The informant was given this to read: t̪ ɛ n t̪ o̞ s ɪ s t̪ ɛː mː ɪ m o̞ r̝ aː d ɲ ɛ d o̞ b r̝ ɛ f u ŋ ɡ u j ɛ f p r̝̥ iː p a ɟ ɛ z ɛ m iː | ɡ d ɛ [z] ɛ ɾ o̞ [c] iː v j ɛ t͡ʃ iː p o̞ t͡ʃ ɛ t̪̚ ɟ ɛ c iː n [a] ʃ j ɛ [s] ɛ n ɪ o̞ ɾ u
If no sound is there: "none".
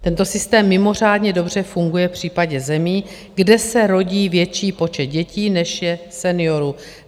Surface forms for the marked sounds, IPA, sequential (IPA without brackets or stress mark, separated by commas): s, ɟ, ɛ, s